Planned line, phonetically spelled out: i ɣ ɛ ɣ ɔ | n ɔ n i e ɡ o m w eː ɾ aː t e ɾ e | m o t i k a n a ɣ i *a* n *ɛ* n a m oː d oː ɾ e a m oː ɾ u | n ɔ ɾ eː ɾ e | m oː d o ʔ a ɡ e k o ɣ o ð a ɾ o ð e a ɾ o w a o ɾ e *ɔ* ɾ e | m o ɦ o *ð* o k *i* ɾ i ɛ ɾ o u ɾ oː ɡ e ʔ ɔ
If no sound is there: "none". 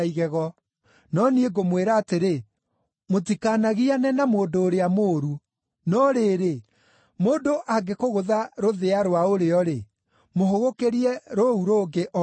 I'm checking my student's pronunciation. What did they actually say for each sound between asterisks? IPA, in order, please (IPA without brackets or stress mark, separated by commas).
a, ɛ, ɔ, ɣ, e